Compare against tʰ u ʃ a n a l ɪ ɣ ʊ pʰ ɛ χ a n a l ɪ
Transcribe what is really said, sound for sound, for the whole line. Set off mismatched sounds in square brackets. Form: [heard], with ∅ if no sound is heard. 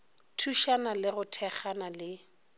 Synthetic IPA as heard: tʰ u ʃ a n a l ɪ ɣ ʊ [tʰ] ɛ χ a n a l ɪ